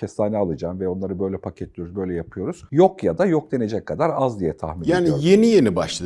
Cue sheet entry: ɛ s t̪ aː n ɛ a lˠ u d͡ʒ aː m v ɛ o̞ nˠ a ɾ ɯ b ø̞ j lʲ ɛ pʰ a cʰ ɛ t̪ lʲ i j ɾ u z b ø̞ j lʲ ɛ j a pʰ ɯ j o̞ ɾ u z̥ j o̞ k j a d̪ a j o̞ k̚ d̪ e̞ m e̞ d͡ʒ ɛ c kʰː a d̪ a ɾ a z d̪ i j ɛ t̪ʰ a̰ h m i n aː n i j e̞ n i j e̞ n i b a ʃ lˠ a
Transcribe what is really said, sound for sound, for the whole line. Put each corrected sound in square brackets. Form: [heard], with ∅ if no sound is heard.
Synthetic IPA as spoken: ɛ s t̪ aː n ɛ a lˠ [ɯ] d͡ʒ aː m v ɛ o̞ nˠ a ɾ ɯ b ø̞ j lʲ ɛ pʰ a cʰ ɛ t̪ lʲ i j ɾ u z b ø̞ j lʲ ɛ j a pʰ ɯ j o̞ ɾ u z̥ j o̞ k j a d̪ a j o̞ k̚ d̪ e̞ [n] e̞ d͡ʒ ɛ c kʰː a d̪ a ɾ a z d̪ i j ɛ t̪ʰ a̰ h m i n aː n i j e̞ n i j e̞ n i b a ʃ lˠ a